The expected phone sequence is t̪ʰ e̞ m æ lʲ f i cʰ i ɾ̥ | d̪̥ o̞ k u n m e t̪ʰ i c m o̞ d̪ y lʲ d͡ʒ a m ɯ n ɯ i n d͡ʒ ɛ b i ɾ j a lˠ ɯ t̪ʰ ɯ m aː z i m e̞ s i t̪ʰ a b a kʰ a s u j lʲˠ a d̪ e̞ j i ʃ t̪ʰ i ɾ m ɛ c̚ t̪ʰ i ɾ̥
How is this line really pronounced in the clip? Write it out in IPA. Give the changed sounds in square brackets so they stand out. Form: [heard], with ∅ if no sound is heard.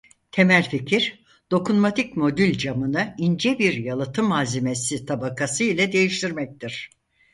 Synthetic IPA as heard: t̪ʰ e̞ m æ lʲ f i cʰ i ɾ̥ | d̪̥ o̞ k u n m [a] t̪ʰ i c m o̞ d̪ y lʲ d͡ʒ a m ɯ n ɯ i n d͡ʒ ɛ b i ɾ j a lˠ ɯ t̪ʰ ɯ m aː z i m e̞ s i t̪ʰ a b a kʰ a s [ɯ] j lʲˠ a d̪ e̞ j i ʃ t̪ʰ i ɾ m ɛ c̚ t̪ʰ i ɾ̥

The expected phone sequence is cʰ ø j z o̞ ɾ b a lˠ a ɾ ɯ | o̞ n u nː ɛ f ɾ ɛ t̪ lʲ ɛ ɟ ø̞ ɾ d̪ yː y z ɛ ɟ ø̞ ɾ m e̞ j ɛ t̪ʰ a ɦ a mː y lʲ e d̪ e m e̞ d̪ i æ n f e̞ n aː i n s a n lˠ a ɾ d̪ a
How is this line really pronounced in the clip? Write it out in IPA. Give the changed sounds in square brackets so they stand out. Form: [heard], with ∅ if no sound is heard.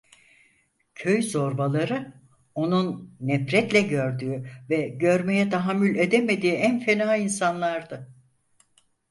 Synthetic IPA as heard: cʰ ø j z o̞ ɾ b a lˠ a ɾ ɯ | o̞ n u nː ɛ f ɾ ɛ t̪ lʲ ɛ ɟ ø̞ ɾ d̪ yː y [v] ɛ ɟ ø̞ ɾ m e̞ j ɛ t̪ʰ a ɦ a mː y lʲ e d̪ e m e̞ d̪ [iː] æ n f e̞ n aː i n s a n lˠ a ɾ d̪ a

